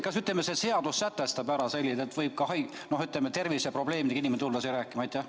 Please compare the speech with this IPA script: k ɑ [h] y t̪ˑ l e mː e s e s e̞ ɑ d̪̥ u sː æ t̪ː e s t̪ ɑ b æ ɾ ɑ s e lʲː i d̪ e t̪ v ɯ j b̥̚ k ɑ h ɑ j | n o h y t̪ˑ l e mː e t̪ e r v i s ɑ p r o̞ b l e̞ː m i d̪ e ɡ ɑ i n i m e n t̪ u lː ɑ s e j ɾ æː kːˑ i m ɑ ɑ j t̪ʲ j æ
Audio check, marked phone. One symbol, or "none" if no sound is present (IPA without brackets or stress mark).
s